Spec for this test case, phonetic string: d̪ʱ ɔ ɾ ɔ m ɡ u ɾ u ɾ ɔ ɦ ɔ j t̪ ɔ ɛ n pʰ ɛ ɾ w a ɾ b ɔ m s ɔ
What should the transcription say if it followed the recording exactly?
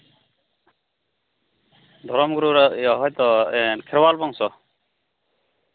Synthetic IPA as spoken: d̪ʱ ɔ ɾ ɔ m ɡ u ɾ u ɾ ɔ ɦ ɔ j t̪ ɔ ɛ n kʰ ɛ ɾ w a l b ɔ ŋ s ɔ